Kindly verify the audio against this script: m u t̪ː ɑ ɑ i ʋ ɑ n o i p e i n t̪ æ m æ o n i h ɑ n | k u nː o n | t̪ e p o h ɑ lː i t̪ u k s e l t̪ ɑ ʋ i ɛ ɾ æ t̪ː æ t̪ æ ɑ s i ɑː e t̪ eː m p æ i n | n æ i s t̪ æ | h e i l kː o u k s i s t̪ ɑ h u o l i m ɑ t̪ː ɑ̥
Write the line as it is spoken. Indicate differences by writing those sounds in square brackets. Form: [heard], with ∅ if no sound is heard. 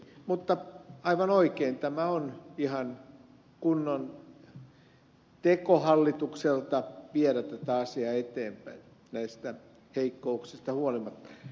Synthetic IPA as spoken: m u t̪ː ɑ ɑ i ʋ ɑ n o i [k] e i n t̪ æ m æ o n i h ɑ n | k u nː o n | t̪ e [k] o h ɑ lː i t̪ u k s e l t̪ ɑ ʋ i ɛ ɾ æ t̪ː æ t̪ æ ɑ s i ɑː e t̪ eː m p æ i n | n æ i s t̪ æ | h e i [∅] kː o u k s i s t̪ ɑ h u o l i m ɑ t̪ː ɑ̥